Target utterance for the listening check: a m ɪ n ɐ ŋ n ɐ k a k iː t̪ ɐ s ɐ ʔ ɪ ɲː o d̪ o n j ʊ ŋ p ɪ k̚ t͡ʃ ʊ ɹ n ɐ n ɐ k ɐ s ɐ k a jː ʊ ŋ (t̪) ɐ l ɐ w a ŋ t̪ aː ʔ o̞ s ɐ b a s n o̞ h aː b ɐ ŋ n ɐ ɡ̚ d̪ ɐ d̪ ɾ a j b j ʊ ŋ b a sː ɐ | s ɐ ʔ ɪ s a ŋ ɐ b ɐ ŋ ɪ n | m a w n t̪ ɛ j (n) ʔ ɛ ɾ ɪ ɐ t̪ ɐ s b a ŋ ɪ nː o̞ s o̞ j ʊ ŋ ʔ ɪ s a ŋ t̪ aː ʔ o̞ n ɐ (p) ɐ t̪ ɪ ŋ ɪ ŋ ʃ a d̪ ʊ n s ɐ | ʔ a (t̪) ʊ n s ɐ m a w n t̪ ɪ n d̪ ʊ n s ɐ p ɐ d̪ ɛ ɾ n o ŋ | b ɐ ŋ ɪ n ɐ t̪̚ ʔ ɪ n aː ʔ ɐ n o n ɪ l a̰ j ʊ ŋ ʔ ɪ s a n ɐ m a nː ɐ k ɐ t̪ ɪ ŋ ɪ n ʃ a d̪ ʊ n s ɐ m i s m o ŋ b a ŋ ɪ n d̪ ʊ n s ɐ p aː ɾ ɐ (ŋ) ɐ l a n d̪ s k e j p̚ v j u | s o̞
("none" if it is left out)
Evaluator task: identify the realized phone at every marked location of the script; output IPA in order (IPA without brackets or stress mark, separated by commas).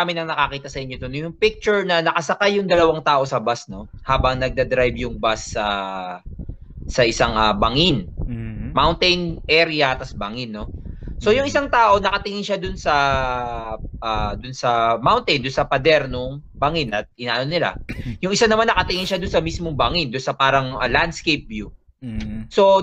d̪, n, k, d̪, ŋ